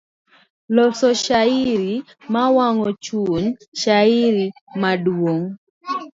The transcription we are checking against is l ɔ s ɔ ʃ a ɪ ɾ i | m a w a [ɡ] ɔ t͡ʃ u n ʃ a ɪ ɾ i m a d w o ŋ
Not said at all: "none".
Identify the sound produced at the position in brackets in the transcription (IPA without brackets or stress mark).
ŋ